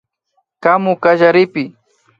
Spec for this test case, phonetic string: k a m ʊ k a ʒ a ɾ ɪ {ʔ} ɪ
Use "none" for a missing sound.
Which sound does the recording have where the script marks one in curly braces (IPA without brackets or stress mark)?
p